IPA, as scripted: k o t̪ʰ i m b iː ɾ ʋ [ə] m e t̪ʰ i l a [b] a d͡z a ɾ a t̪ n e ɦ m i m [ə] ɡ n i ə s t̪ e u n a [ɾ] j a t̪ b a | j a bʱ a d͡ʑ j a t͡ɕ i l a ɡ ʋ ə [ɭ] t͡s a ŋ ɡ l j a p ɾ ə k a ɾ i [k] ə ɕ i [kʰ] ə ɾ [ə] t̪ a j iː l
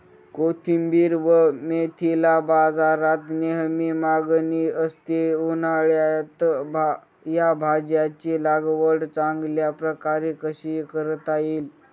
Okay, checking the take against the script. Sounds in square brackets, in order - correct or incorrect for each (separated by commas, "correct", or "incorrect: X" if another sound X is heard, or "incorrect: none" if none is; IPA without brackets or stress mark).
correct, correct, incorrect: a, incorrect: ɭ, incorrect: ɽ, correct, incorrect: k, correct